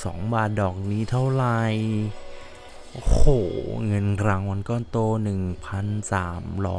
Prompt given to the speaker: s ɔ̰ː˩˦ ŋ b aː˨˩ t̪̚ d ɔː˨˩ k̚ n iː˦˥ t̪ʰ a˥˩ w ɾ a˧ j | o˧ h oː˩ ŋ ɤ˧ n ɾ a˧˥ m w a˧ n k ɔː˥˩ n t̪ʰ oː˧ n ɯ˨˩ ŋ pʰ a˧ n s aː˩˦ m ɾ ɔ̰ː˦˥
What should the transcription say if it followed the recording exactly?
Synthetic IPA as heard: s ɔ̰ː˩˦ ŋ b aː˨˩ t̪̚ d ɔː˨˩ k̚ n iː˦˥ t̪ʰ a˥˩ w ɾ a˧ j | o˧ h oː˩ ŋ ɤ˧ n ɾ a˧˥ ŋ w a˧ n k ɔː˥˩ n t̪ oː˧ n ɯ˨˩ ŋ pʰ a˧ n s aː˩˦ m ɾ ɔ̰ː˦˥